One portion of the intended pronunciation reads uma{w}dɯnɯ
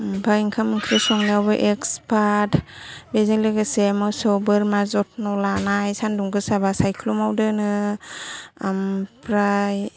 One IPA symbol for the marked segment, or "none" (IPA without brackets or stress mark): w